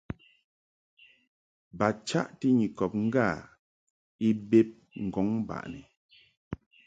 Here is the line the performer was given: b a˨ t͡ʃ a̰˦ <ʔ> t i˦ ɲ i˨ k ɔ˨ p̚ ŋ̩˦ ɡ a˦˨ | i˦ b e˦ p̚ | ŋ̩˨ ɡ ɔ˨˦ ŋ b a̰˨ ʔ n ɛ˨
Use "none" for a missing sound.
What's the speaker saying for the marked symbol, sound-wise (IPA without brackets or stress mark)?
ʔ